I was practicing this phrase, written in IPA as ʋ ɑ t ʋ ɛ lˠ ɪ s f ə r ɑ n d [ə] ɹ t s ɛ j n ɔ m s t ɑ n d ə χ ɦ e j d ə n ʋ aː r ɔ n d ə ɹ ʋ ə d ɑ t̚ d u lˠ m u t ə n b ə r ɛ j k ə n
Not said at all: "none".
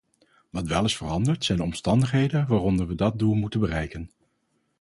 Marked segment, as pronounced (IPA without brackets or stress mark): ə